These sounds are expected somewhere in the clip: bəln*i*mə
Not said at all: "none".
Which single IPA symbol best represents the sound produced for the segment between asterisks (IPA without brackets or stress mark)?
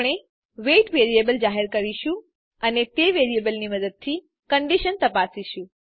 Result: i